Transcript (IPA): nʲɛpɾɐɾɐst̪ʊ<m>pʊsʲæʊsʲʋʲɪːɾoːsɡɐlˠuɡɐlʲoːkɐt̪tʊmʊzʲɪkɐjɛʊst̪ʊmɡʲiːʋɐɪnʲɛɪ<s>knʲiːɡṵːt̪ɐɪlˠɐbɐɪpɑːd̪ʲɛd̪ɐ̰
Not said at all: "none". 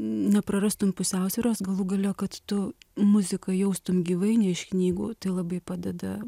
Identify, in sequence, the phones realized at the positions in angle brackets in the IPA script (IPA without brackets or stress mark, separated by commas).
m, ʃ